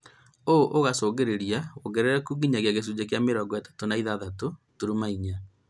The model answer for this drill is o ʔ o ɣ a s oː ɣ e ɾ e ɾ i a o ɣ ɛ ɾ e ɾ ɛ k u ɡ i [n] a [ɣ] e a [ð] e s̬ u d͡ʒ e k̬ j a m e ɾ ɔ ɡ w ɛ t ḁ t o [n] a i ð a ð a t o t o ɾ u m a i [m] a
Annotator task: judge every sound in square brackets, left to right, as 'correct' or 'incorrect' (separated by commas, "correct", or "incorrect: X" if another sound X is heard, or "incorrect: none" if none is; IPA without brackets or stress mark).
incorrect: ɲ, correct, incorrect: ɣ, correct, incorrect: ɲ